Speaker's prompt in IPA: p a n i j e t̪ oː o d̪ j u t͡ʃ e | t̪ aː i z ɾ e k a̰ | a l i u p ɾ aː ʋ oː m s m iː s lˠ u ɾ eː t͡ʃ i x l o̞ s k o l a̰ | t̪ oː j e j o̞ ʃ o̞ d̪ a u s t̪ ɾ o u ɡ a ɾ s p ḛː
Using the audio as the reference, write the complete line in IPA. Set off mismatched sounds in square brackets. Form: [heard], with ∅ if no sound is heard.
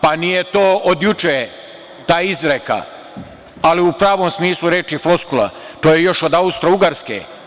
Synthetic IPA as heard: p a n i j e t̪ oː o d̪ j u t͡ʃ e | t̪ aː i z ɾ e k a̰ | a l i u p ɾ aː ʋ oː m s m iː s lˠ u ɾ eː t͡ʃ i [f] l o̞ s k [u] l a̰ | t̪ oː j e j o̞ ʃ o̞ d̪ a u s t̪ ɾ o u ɡ a ɾ s [k] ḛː

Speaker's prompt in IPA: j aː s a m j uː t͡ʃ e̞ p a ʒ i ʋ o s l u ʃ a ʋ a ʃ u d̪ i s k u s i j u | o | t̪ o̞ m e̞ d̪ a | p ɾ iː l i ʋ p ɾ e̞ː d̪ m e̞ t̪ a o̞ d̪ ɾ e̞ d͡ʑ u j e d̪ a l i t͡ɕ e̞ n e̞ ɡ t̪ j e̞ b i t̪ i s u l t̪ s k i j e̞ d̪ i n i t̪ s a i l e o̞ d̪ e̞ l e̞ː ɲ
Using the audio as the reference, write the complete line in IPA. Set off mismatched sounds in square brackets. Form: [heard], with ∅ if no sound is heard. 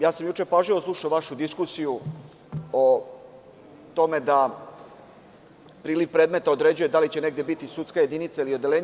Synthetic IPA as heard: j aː s a m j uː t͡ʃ e̞ p a ʒ i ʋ o s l u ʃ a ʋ a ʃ u d̪ i s k u s i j u | o | t̪ o̞ m e̞ d̪ a | p ɾ iː l i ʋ p ɾ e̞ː d̪ m e̞ t̪ a o̞ d̪ ɾ e̞ d͡ʑ u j e d̪ a l i t͡ɕ e̞ n e̞ ɡ [d̪] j e̞ b i t̪ i s u [∅] t̪ s k [a] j e̞ d̪ i n i t̪ s a i l [i] o̞ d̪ e̞ l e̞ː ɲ

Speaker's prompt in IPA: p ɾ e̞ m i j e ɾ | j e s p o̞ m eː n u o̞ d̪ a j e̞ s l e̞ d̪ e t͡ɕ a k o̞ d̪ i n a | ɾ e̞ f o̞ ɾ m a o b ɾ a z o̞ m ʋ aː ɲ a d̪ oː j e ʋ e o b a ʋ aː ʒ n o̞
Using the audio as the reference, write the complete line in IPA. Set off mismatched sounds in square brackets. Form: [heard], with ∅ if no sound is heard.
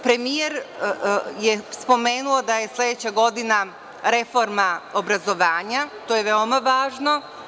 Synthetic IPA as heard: p ɾ e̞ m i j e ɾ | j e s p o̞ m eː n u o̞ d̪ a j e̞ s l e̞ d̪ e t͡ɕ a [ɡ] o̞ d̪ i n a | ɾ e̞ f o̞ ɾ m a o b ɾ a z o̞ [∅] ʋ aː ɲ a [t̪] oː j e ʋ e o [m] a ʋ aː ʒ n o̞

